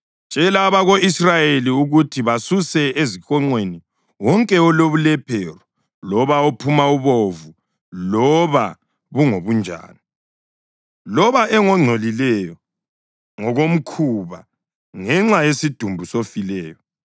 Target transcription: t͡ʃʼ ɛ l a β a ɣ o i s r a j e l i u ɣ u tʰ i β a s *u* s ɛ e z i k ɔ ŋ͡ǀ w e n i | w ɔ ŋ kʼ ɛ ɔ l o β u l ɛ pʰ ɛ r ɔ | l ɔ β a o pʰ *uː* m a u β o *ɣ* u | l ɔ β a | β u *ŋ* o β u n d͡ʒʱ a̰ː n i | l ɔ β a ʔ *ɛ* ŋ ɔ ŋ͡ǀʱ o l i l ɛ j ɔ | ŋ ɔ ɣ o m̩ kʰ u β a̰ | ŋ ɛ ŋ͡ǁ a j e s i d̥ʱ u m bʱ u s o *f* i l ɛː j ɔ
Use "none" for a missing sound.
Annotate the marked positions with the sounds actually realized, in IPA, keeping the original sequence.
u, u, v, ŋ, ɛ, f

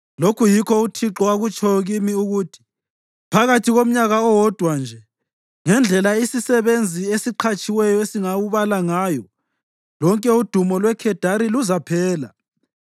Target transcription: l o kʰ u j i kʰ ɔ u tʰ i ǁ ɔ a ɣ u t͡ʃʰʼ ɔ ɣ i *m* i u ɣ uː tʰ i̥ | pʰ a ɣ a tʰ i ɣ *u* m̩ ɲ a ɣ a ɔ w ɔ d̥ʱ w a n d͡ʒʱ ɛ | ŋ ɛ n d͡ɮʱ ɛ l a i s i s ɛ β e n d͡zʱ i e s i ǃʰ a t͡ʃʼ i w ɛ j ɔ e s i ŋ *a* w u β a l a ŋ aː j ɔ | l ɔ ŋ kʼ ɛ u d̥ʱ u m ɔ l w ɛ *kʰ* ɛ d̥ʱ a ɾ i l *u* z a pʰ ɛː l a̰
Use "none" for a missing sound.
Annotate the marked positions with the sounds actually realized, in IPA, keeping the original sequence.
m, o, a, kʰ, u

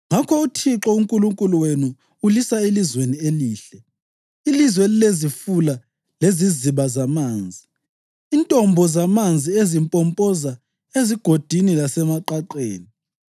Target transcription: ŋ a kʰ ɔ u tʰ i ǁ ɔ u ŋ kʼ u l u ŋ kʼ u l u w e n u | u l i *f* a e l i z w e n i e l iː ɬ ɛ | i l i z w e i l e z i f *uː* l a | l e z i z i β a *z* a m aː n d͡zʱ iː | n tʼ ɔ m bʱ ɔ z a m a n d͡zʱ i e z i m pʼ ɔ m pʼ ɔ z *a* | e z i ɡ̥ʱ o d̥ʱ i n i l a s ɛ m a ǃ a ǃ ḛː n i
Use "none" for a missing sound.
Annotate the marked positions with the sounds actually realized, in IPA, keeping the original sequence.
s, u, z, a

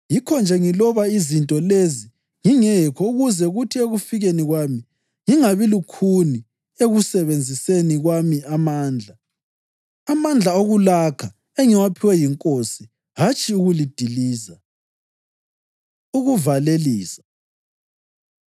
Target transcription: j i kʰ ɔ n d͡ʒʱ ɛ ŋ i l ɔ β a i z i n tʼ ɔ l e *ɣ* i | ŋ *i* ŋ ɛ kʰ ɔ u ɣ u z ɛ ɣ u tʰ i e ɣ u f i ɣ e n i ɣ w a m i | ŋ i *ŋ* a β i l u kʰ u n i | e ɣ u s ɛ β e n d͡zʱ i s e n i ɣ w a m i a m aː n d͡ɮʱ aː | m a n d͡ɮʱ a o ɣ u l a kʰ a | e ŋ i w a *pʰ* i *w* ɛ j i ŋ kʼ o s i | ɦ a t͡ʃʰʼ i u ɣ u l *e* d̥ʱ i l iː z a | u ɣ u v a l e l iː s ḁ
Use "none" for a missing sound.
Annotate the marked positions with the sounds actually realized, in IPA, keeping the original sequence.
z, i, ŋ, pʰ, w, i

